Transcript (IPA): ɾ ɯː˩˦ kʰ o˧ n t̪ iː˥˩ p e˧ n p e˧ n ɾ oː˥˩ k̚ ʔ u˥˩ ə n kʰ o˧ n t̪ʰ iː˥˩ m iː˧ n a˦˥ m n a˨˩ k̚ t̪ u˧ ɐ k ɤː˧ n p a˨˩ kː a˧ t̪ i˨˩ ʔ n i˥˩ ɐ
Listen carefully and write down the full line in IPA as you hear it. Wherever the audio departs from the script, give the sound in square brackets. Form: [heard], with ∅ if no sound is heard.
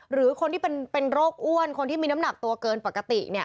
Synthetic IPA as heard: ɾ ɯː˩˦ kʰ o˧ n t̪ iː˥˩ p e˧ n p e˧ n ɾ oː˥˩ k̚ ʔ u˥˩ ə n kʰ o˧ n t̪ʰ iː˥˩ m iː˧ n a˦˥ m n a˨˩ k̚ t̪ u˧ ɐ k ɤː˧ n p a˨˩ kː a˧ t̪ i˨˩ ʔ n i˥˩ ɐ